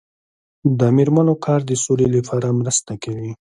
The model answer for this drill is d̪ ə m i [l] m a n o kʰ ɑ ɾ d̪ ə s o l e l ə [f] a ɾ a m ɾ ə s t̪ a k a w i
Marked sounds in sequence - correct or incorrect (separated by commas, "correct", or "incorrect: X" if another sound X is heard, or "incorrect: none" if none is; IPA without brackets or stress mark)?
incorrect: ɾ, correct